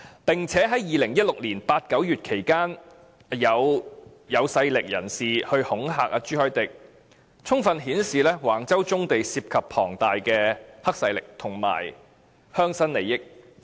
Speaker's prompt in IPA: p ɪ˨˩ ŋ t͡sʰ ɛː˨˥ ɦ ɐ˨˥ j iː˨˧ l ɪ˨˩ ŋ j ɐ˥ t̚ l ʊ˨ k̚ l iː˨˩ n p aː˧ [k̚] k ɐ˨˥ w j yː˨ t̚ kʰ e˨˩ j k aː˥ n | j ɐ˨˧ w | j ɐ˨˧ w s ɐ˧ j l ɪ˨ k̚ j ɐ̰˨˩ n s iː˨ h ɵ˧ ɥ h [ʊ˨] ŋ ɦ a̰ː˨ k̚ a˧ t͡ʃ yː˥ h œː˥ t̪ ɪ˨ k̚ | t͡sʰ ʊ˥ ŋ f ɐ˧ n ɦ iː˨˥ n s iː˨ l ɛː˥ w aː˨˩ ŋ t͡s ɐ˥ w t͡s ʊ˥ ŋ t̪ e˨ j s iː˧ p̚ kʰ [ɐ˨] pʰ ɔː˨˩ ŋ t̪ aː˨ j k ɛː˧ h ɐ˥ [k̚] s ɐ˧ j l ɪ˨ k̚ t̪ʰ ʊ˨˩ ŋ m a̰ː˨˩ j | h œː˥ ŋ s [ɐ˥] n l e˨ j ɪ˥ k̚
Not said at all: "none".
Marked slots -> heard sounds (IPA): t̚, ʊ˨˥, ɐ˨, k̚, ɐ˥

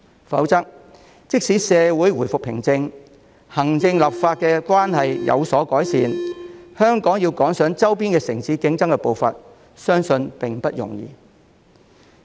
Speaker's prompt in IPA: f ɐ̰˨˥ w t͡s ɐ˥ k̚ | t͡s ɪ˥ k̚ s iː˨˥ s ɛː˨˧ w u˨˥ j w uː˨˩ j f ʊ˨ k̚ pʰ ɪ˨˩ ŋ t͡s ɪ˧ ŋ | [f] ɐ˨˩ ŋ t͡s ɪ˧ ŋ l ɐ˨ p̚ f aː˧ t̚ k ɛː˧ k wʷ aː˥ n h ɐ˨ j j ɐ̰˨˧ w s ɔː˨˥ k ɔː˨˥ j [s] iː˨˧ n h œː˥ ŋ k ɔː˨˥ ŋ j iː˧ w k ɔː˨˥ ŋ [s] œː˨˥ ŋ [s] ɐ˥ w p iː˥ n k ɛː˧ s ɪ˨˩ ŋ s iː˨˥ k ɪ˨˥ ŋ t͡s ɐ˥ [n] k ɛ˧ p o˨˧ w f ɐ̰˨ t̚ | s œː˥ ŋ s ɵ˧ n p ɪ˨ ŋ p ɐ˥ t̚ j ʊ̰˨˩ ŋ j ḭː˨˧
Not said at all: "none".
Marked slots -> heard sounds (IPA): h, s, s, t͡s, ŋ

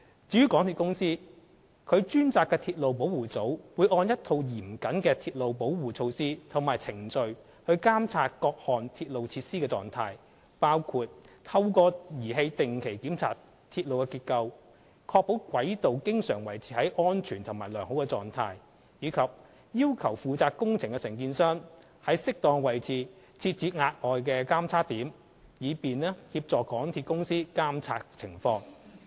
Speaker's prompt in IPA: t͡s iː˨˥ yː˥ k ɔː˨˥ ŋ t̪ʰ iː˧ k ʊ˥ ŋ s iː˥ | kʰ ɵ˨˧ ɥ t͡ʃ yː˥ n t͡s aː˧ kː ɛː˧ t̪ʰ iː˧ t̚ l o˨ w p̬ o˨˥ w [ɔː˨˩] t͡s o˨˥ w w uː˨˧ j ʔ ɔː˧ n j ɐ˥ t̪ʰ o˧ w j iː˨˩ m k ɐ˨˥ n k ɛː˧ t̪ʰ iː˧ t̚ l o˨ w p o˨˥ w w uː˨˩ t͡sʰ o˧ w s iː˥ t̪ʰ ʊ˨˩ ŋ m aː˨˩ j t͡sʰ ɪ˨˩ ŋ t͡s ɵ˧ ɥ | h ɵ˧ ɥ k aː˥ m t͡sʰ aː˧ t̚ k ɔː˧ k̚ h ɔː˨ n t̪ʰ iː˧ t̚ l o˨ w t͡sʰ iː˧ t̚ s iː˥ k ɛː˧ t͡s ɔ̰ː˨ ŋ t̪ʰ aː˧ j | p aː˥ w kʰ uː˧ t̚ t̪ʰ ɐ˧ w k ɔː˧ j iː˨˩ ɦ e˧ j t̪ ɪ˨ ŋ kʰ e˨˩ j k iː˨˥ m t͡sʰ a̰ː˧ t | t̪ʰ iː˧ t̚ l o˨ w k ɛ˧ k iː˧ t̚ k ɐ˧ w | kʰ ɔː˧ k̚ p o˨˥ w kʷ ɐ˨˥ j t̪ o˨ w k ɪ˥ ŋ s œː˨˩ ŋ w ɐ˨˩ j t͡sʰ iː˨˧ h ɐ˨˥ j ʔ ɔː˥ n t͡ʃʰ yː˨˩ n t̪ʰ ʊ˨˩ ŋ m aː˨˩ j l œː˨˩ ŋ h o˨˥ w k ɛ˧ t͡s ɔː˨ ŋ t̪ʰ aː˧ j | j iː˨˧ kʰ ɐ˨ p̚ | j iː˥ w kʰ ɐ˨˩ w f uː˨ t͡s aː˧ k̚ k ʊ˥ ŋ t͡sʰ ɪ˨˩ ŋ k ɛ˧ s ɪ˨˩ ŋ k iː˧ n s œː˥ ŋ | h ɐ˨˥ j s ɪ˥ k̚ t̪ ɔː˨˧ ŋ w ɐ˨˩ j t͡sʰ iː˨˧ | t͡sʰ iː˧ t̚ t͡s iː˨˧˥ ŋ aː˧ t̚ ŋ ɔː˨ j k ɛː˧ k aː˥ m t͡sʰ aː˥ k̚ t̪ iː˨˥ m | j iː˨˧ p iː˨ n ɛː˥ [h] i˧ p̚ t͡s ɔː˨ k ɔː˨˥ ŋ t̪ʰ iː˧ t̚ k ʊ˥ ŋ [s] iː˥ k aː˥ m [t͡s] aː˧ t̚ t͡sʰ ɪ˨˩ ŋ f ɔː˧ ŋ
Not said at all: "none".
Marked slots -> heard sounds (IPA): uː˨˩, h, s, t͡sʰ

